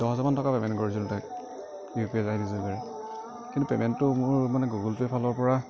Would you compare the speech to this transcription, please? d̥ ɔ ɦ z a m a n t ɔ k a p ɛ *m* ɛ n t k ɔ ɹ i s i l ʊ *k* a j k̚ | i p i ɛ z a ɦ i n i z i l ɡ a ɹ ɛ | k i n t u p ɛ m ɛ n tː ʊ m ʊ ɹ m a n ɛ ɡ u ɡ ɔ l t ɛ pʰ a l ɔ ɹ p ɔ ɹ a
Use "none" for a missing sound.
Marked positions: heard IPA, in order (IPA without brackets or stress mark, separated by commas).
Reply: m, t